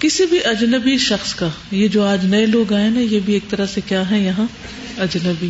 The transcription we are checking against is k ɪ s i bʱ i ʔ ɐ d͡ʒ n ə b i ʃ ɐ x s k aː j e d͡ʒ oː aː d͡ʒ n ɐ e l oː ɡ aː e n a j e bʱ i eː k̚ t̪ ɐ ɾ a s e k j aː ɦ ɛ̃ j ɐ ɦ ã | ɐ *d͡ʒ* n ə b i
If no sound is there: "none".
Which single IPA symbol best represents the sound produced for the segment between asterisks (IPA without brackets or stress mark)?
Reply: d͡ʒ